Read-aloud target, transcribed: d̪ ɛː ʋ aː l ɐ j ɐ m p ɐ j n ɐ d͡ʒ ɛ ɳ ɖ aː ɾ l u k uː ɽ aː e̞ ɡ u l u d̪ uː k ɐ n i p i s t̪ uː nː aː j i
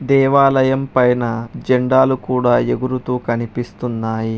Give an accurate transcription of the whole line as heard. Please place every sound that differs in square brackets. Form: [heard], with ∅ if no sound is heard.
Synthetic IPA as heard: d̪ ɛː ʋ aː l ɐ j ɐ m p ɐ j n ɐ d͡ʒ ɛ ɳ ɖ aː [∅] l u k uː ɽ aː e̞ ɡ u [ɾ] u [t̪] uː k ɐ n i p i s t̪ [u] nː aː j i

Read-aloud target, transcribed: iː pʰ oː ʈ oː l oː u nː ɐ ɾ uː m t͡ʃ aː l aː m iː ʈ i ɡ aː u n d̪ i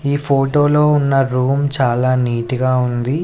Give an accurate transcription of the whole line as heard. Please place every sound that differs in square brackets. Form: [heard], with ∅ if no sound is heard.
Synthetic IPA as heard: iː pʰ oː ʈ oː l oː u nː ɐ ɾ uː m t͡ʃ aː l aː [n] iː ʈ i ɡ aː u n d̪ i

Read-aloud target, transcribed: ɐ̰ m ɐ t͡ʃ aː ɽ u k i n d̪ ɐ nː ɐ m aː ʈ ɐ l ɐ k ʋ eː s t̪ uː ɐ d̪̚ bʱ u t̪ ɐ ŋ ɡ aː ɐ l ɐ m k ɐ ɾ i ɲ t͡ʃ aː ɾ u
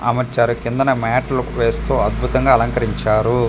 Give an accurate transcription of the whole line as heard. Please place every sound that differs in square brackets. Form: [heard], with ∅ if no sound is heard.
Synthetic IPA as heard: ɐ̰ m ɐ t͡ʃ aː [ɾ] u k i n d̪ ɐ [n] ɐ m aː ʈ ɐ l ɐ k ʋ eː s t̪ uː ɐ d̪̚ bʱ u t̪ ɐ ŋ ɡ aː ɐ l ɐ [ŋ] k ɐ ɾ i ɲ t͡ʃ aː ɾ u

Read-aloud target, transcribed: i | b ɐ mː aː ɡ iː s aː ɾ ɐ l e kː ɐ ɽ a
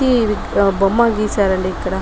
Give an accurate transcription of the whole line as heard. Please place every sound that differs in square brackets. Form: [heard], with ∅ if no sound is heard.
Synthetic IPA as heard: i | b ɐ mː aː ɡ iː s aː ɾ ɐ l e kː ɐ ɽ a

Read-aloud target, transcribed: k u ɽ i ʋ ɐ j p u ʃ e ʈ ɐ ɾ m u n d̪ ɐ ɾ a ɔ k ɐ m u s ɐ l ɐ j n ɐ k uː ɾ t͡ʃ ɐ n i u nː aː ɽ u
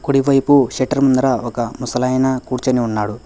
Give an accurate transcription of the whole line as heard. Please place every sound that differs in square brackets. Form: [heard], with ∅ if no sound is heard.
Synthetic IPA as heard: k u ɽ i ʋ ɐ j p u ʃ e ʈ ɐ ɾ m u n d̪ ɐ ɾ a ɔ k ɐ m u s ɐ l ɐ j n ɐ k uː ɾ t͡ʃ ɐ n i u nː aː ɽ u

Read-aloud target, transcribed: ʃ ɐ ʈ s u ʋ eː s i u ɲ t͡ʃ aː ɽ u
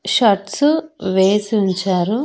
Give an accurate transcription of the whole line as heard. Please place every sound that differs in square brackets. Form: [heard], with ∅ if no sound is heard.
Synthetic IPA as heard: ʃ ɐ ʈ s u ʋ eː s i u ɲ t͡ʃ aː [ɾ] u

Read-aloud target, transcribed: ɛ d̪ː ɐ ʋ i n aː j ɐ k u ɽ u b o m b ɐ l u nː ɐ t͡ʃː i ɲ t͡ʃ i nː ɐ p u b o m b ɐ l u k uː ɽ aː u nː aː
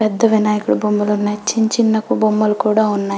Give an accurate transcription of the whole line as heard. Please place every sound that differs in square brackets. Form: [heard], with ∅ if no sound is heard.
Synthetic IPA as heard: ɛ d̪ː ɐ ʋ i n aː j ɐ k u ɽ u b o m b ɐ l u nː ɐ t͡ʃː i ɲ t͡ʃ i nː ɐ [k] u b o m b ɐ l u k uː ɽ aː u nː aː

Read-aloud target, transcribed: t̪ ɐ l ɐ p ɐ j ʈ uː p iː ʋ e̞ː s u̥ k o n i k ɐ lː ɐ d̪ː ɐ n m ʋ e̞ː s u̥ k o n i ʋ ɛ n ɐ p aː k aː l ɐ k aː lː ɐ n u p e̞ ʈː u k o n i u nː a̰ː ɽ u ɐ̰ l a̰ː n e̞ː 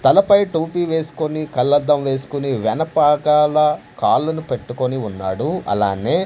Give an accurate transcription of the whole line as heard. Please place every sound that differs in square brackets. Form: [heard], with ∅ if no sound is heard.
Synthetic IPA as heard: t̪ ɐ l ɐ p ɐ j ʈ uː p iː ʋ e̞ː s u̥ k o n i k ɐ lː ɐ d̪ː ɐ [∅] m ʋ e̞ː s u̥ k [u] n i ʋ ɛ n ɐ p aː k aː l ɐ k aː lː ɐ n u p e̞ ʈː u k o n i u nː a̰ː ɽ u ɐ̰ l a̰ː n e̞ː

